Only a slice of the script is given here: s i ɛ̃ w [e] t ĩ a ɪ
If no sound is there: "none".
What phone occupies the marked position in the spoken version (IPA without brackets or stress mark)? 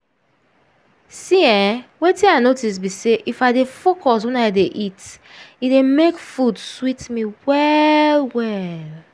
e